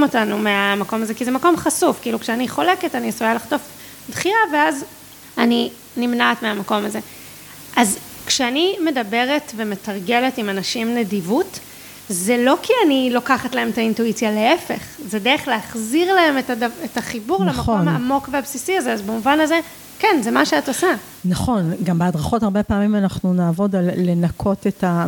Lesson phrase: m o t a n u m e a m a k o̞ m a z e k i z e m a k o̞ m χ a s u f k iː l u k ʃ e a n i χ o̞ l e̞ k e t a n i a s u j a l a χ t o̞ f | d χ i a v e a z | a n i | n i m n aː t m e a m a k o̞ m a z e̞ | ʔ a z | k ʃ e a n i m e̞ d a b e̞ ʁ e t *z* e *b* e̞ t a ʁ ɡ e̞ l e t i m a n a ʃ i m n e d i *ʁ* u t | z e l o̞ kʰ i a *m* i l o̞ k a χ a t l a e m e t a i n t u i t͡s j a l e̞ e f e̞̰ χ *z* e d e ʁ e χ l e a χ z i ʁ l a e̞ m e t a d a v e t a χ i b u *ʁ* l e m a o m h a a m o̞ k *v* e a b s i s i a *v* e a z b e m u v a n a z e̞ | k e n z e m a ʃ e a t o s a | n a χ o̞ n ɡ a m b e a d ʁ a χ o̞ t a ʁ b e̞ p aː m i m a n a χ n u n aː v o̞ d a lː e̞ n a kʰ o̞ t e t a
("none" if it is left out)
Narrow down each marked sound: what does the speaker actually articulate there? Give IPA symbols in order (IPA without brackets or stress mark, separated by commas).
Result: v, m, v, n, z, ʁ, v, z